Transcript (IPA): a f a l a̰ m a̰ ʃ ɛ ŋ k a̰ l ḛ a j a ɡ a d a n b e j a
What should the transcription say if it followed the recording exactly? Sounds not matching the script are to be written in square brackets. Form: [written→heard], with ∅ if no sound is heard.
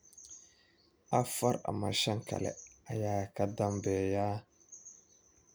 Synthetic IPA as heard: a f a [l→ɾ] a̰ m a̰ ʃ [ɛ→a] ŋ k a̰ l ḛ a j a [ɡ→k] a d a [n→m] b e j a